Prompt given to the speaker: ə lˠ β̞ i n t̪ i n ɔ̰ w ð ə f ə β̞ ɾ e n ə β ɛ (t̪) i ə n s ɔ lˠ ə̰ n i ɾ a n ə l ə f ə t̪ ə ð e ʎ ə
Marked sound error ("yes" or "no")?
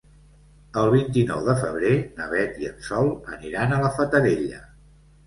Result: no